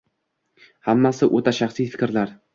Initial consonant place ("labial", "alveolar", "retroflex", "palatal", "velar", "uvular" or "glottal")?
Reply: glottal